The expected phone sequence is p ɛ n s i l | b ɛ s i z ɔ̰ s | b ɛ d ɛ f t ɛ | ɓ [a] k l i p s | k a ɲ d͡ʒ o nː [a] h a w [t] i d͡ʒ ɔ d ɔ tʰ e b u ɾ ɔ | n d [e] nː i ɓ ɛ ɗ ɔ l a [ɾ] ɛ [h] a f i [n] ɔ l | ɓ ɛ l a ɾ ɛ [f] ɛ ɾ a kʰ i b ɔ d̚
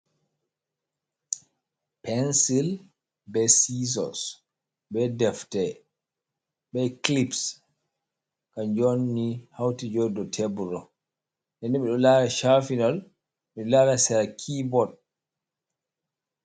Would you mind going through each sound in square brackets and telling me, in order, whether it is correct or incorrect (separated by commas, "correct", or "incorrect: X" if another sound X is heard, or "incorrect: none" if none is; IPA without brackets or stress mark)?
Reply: incorrect: ɛ, incorrect: i, correct, incorrect: ɛ, correct, incorrect: ʃ, correct, incorrect: s